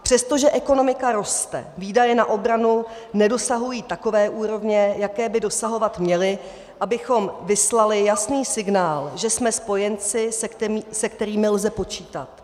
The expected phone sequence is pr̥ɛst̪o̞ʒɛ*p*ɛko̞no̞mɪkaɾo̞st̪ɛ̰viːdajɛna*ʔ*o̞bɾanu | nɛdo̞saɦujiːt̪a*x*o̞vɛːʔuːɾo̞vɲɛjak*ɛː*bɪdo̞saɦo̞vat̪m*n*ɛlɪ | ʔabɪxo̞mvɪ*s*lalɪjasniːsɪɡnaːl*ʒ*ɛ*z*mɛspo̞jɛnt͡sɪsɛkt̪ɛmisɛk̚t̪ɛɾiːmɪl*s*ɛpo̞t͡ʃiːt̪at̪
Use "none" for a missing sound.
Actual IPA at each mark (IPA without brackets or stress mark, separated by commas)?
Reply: ʔ, ʔ, k, ɛː, ɲ, s, ʒ, s, z